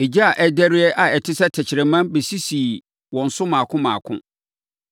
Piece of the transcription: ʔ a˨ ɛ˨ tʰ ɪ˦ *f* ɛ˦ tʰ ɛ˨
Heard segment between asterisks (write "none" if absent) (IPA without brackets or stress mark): s